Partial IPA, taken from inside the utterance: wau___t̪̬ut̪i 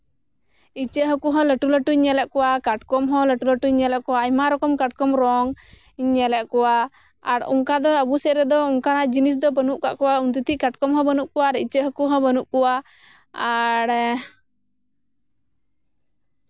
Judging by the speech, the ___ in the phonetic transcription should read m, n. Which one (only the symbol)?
n